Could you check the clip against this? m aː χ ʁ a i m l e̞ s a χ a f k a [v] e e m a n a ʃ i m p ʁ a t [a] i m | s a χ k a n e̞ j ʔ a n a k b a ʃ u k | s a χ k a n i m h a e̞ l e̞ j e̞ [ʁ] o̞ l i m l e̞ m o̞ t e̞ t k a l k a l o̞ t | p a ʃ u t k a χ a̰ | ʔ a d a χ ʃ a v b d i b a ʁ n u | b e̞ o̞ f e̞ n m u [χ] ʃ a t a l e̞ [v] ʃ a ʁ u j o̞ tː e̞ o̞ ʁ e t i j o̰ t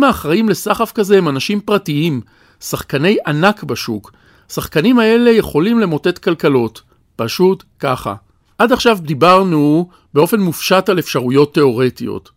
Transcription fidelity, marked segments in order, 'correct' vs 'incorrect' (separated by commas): incorrect, incorrect, incorrect, incorrect, incorrect